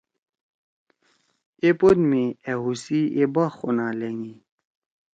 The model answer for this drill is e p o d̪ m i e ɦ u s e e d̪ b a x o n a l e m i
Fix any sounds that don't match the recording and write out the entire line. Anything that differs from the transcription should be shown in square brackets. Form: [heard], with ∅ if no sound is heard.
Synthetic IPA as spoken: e p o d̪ m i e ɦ u s [i] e [∅] b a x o n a l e [ŋ] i